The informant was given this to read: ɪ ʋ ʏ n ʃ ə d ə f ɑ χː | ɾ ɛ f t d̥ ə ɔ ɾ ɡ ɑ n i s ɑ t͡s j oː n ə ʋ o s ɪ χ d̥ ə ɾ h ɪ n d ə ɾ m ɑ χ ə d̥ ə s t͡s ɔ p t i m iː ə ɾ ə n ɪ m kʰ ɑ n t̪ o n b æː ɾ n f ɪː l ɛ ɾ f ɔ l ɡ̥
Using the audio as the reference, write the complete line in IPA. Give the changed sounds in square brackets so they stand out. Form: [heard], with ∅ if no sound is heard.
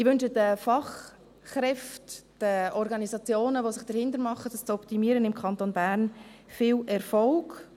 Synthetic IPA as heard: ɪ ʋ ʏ n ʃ ə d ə f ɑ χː | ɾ ɛ f t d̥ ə ɔ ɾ ɡ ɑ n i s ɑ t͡s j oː n ə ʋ o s ɪ χ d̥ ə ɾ h ɪ n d ə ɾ m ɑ χ ə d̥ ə s t͡s ɔ p t i m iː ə ɾ ə n ɪ m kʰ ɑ n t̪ o n b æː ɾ n f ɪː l ɛ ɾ f ɔ l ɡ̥